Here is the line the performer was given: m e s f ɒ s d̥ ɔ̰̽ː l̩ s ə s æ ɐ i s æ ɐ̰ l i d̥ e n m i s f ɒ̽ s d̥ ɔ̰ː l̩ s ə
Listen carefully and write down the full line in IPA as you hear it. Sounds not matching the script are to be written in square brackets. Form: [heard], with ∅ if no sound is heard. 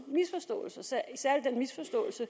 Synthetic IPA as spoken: m [i] s f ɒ s d̥ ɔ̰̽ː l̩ s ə s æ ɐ i s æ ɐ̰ l i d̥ e n m i s f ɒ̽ s d̥ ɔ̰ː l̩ s ə